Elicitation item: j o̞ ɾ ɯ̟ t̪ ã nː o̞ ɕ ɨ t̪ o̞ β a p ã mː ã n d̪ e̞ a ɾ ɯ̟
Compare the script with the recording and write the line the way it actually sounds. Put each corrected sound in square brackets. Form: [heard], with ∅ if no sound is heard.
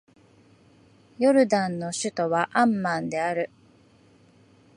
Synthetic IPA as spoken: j o̞ ɾ ɯ̟ [d̪] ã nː o̞ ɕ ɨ t̪ o̞ β a [ʔ] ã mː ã n d̪ e̞ a ɾ ɯ̟